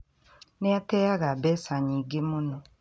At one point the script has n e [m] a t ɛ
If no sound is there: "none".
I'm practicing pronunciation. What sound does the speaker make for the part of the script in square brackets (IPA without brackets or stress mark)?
none